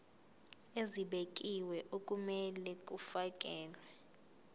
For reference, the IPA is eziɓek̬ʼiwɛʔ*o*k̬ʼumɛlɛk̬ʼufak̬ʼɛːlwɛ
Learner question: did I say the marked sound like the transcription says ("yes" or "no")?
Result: yes